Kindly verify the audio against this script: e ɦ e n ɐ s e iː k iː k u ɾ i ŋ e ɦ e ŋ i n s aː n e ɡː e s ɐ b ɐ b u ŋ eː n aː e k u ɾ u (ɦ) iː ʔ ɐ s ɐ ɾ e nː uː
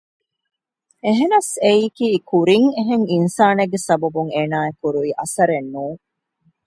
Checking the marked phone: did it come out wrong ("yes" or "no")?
yes